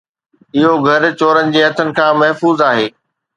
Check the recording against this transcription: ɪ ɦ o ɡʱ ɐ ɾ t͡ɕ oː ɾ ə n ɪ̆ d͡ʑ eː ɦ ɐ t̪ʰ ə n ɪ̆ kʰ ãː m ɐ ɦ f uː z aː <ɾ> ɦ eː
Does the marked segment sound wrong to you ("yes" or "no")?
yes